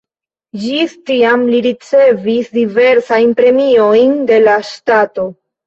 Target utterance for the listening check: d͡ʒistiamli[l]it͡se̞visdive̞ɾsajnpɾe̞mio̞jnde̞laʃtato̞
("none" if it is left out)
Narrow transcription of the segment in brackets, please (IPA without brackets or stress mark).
ɾ